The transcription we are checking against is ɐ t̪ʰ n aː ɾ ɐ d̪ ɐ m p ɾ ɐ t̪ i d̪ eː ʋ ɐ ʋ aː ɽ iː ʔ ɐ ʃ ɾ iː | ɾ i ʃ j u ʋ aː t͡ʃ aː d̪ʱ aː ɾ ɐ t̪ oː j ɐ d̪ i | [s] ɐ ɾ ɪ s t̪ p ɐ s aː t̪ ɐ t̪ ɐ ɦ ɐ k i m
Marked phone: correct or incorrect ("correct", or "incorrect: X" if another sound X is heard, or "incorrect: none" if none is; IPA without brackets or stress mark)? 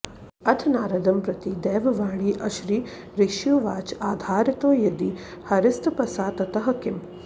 incorrect: h